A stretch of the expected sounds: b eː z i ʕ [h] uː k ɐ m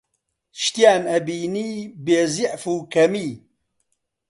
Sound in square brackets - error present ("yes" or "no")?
yes